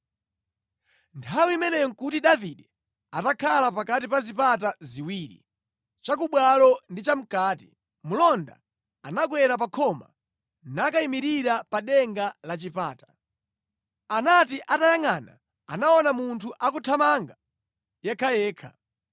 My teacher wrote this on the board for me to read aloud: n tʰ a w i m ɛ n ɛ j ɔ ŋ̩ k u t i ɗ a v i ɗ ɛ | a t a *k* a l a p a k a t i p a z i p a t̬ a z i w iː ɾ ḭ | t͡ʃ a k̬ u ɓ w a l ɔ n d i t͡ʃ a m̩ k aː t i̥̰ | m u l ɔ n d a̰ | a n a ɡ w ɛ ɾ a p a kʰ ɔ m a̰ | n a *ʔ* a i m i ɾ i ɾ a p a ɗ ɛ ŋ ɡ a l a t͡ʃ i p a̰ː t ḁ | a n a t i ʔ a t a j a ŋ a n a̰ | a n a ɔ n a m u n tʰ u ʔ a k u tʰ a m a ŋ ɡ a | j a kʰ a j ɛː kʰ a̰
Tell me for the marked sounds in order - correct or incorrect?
incorrect: kʰ, incorrect: k

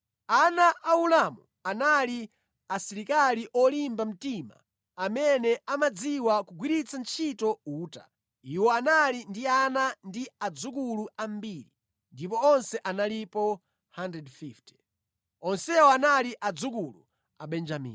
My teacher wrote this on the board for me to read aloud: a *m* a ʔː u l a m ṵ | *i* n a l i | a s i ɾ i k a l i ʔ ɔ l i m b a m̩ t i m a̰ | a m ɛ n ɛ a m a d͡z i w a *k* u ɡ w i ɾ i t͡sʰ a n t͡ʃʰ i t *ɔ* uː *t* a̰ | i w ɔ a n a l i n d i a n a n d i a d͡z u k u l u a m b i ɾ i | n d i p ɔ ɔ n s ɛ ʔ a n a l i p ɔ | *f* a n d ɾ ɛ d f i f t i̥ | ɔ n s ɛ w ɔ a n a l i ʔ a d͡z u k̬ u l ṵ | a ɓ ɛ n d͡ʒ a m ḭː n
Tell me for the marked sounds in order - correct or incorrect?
incorrect: n, incorrect: a, correct, correct, correct, incorrect: h

